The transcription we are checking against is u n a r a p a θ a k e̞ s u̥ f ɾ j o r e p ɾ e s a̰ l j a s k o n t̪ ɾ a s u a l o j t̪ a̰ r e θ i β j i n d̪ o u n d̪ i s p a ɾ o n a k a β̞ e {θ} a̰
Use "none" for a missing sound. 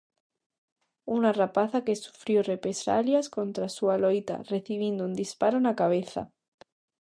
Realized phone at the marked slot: θ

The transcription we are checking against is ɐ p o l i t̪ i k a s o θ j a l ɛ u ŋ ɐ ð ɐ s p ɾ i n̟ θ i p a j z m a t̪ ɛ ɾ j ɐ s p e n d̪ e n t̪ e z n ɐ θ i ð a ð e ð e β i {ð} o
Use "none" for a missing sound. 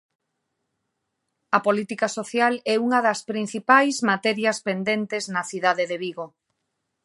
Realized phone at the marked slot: ɣ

